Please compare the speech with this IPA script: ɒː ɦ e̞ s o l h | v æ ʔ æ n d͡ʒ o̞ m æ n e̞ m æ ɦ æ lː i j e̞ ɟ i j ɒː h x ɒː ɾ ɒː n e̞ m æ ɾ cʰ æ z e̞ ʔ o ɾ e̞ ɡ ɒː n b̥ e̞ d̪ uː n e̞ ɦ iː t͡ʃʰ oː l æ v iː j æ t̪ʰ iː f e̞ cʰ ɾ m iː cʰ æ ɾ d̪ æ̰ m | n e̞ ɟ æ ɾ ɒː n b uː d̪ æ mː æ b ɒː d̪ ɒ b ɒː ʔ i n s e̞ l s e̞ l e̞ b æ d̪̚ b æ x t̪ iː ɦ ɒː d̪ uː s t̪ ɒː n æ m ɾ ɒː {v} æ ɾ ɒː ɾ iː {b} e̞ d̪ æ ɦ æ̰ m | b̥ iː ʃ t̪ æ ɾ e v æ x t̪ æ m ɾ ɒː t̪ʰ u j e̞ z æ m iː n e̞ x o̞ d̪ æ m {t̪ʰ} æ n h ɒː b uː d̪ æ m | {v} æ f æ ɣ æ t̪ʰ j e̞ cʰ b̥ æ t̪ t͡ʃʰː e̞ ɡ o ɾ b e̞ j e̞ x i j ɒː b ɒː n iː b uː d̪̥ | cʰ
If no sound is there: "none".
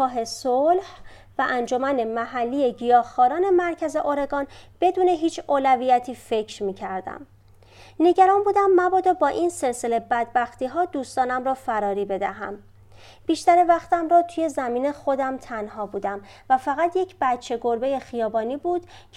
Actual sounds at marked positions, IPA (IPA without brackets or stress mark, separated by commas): f, b, t̪ʰ, v